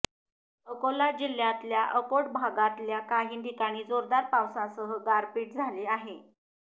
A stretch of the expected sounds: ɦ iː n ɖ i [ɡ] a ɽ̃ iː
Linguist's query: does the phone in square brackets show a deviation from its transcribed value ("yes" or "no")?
yes